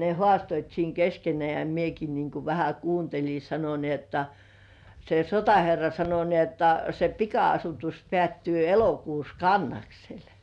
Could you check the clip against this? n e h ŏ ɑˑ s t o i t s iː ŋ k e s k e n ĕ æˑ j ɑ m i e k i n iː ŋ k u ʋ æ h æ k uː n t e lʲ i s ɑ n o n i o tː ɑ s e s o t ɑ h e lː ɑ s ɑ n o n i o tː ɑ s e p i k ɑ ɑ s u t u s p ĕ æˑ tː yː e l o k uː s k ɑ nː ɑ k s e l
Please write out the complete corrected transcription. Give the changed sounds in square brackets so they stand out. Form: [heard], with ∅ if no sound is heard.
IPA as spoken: n e h ŏ ɑˑ s t o i t s iː ŋ k e s k e n ĕ æˑ j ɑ m i e k i n iː ŋ k u ʋ æ h æ k uː n t e lʲ i s ɑ n o n i o tː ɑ s e s o t ɑ h e [rː] ɑ s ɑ n o n i o tː ɑ s e p i k ɑ ɑ s u t u s p ĕ æˑ tː yː e l o k uː s k ɑ nː ɑ k s e l

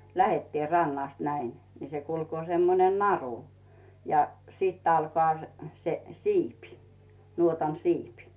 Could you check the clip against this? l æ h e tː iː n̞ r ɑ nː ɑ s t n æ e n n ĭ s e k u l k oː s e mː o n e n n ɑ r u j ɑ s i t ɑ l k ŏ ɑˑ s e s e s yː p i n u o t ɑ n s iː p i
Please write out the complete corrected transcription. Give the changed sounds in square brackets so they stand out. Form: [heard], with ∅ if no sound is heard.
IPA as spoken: l æ h e tː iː n̞ r ɑ nː ɑ s t n æ [i] n n ĭ s e k u l k oː s e mː o n e n n ɑ r u j ɑ s i t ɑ l k ŏ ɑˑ s e s e s [iː] p i n u o t ɑ n s iː p i

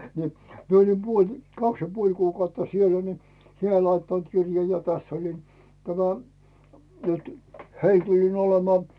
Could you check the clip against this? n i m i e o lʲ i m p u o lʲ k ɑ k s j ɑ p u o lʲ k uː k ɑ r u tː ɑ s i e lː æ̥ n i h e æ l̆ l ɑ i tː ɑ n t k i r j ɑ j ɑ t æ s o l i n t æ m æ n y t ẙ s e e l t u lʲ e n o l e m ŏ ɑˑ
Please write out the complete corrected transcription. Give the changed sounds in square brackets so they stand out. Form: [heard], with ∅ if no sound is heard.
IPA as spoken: n i m i e o lʲ i m p u o lʲ k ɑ k s j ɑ p u o lʲ k uː k ɑ [∅] u tː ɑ s i e lː æ̥ n i h e æ l̆ l ɑ i tː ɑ n t k i r j ɑ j ɑ t æ [sː] o l i n t æ m æ n y t ẙ [h] e [i] l t u lʲ [i] n o l e m ŏ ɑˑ

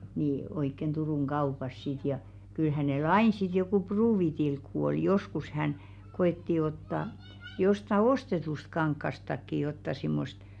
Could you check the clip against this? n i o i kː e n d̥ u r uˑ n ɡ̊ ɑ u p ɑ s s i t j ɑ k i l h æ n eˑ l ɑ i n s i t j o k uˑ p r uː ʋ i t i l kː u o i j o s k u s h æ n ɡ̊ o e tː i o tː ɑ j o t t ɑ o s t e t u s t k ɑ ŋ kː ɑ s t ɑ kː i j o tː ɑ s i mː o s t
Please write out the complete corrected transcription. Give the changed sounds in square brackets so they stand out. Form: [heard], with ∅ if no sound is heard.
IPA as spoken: n i o i kː e n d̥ u r uˑ [ŋ] ɡ̊ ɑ u p ɑ s s i t j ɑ k [y] l h æ n eˑ l ɑ i n s i t j o k uˑ p r uː ʋ i t i l kː u o i j o s k u s h æ n ɡ̊ o e tː i o tː ɑ j o [s] t ɑ o s t e t u s t k ɑ ŋ kː ɑ s t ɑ kː i j o tː ɑ s i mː o s t

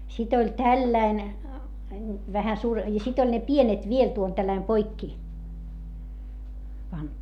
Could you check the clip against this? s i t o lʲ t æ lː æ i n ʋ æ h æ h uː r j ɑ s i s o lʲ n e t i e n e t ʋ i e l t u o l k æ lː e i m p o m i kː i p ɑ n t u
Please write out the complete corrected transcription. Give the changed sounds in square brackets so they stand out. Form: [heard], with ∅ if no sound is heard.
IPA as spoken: s i t o lʲ t æ lː æ i n ʋ æ h æ [s] uː r j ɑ s i [t] o lʲ n e [p] i e n e t ʋ i e l t u o l [t] æ lː [æ] i m p o [∅] i kː i p ɑ n t u

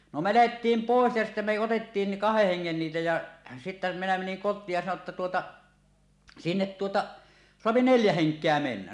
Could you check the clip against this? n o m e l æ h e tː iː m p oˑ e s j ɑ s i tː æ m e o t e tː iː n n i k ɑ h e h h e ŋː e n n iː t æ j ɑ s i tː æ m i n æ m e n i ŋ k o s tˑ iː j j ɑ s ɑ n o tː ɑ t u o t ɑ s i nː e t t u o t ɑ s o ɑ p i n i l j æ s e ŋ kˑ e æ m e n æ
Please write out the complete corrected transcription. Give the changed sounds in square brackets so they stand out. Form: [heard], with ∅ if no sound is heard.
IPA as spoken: n o m e l æ h e tː iː m p oˑ e s j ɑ s i tː æ m e o t e tː iː n n i k ɑ h e h h e ŋː e n n iː t æ j ɑ s i tː æ m i n æ m e n i ŋ k o [∅] tˑ iː j j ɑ s ɑ n o tː ɑ t u o t ɑ s i nː e t t u o t ɑ s o ɑ p i n [e] l j æ [h] e ŋ kˑ e æ m e [nː] æ

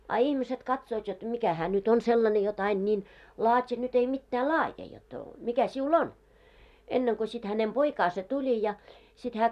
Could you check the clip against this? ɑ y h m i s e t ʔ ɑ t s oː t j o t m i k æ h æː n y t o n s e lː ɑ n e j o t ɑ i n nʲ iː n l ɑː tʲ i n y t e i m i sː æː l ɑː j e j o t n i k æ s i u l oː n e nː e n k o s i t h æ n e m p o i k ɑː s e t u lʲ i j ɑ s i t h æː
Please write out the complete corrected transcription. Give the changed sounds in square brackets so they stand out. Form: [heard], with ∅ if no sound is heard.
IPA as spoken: ɑ [i] h m i s e t [k] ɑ t s oː t j o t m i k æ h æː n y t o n s e lː ɑ n e j o t ɑ i n nʲ iː n l ɑː tʲ i n y t e i m i [tː] æː l ɑː j e j o t [m] i k æ s i u l [o] n e nː e [ŋ] k o s i t h æ n e m p o i k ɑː s e t u lʲ i j ɑ s i t h æː

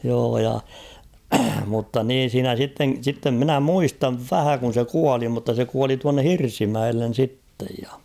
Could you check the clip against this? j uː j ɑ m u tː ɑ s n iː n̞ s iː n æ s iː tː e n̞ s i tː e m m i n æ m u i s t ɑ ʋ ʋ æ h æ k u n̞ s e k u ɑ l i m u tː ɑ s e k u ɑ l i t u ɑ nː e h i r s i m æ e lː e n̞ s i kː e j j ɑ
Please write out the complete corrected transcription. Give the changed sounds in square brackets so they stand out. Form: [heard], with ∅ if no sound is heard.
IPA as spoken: j [oː] j ɑ m u tː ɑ [∅] n iː n̞ s iː n æ s [i] tː e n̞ s i tː e m m i n æ m u i s t ɑ ʋ ʋ æ h æ k u n̞ s e k u ɑ l i m u tː ɑ s e k u ɑ l i t u ɑ nː e h i r s i m æ e lː e n̞ s i [tː] e j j ɑ

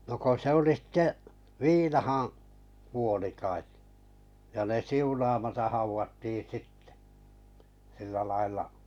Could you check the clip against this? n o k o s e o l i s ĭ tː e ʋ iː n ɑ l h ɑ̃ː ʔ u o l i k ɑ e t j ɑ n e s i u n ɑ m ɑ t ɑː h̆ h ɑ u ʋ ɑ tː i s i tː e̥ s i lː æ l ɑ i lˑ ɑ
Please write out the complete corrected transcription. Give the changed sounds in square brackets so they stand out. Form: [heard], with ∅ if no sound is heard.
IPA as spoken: n o k o s e o l i s ĭ tː e ʋ iː n ɑ [∅] h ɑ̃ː [k] u o l i k ɑ e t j ɑ n e s i u n ɑ m ɑ t [ɑ] h̆ h ɑ u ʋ ɑ tː i s i tː e̥ s i lː æ l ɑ i lˑ ɑ

